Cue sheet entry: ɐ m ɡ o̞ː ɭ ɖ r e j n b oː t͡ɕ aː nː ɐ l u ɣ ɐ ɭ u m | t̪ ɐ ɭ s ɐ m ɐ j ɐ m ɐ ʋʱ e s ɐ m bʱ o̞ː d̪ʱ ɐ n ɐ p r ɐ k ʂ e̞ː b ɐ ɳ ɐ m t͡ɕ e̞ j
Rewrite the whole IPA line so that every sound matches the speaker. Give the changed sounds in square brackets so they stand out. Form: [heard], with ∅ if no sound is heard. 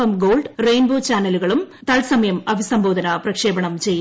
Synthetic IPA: ɐ m ɡ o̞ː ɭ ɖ r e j n b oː t͡ɕ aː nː ɐ l u ɣ ɐ ɭ u m | t̪ ɐ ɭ s ɐ m ɐ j ɐ m ɐ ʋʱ [i] s ɐ m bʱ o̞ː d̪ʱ ɐ n ɐ p r ɐ k ʂ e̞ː b ɐ ɳ ɐ m t͡ɕ e̞ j